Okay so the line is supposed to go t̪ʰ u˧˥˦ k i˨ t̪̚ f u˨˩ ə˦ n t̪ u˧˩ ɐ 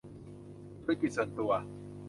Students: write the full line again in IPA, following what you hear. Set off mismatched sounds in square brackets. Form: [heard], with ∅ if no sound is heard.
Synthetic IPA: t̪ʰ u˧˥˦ k i˨ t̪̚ [s] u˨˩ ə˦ n t̪ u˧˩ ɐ

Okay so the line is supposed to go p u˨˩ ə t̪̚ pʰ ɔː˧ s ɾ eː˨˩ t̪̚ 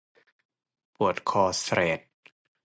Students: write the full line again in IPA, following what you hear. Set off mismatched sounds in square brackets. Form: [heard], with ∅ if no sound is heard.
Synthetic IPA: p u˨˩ ə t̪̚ [kʰ] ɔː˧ s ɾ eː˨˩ t̪̚

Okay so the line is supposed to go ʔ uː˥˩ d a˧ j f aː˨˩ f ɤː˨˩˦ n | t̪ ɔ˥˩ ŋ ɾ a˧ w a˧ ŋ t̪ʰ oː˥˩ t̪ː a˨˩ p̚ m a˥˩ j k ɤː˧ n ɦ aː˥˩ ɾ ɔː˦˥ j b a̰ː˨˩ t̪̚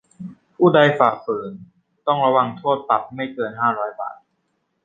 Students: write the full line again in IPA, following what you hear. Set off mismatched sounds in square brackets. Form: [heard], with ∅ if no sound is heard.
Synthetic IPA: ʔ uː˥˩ d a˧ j f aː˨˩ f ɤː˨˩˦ n | t̪ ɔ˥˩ ŋ ɾ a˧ w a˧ ŋ t̪ʰ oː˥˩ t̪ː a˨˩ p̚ m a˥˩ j k ɤː˧ n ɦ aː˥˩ ɾ ɔː˦˥ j b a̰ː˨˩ t̪̚

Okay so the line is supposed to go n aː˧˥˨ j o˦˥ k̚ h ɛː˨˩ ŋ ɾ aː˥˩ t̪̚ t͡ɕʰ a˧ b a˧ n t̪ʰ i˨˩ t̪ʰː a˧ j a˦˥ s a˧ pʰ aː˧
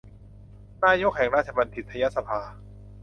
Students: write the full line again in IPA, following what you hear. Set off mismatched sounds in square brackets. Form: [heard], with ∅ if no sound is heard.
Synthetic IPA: n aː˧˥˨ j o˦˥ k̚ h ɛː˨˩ ŋ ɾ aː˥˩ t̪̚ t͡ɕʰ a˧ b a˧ n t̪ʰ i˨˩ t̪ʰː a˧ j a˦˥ s a˧ pʰ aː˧

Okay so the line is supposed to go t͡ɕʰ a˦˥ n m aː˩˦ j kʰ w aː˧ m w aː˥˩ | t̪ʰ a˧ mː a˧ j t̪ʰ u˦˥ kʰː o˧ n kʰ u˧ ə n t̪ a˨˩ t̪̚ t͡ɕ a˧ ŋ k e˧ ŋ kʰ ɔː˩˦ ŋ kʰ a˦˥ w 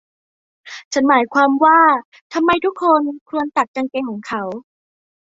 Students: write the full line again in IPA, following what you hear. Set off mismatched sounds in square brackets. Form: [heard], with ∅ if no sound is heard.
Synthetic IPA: t͡ɕʰ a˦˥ n m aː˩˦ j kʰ w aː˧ m w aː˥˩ | t̪ʰ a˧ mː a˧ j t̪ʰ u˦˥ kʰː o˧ n kʰ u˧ ə n t̪ a˨˩ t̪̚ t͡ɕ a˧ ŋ k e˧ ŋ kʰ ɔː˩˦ ŋ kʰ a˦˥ w

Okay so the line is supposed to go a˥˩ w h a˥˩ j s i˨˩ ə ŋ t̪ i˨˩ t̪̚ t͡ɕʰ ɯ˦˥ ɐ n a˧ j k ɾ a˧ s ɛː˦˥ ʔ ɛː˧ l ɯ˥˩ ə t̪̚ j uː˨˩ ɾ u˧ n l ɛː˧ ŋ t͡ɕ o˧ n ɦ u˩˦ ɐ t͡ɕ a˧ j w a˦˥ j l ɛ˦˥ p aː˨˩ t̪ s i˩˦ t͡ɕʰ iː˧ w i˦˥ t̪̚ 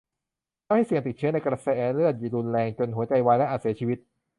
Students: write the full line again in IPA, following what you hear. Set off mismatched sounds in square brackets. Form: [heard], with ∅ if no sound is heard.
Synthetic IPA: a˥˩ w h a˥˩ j s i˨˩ ə ŋ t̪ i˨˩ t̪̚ t͡ɕʰ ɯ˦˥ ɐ n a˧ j k ɾ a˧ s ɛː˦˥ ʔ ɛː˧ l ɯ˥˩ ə t̪̚ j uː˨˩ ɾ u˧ n l ɛː˧ ŋ t͡ɕ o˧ n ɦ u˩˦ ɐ t͡ɕ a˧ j w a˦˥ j l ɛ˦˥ [ʔ] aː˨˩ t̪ s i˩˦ t͡ɕʰ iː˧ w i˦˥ t̪̚

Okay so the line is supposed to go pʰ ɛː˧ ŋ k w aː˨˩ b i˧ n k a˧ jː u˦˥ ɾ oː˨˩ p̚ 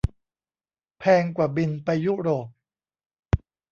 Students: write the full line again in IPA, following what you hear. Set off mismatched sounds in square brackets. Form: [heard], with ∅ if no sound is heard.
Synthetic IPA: pʰ ɛː˧ ŋ k w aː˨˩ b i˧ n [p] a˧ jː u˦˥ ɾ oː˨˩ p̚

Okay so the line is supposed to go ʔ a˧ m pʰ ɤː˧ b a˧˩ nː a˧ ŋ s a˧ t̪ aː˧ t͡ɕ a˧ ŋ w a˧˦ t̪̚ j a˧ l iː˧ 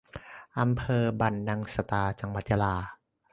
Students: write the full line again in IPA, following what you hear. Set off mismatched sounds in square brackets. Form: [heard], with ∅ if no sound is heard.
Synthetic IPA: ʔ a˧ m pʰ ɤː˧ b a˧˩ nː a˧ ŋ s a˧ t̪ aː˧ t͡ɕ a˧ ŋ w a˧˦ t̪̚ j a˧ l [aː˧]

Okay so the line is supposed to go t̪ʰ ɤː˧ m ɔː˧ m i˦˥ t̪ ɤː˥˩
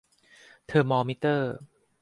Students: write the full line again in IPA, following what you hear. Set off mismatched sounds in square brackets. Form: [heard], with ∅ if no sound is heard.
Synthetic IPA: t̪ʰ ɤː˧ m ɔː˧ m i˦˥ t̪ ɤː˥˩

